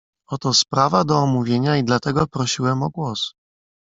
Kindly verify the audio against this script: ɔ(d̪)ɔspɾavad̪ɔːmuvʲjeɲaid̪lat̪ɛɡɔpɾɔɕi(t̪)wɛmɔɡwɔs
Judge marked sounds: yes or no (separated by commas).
no, no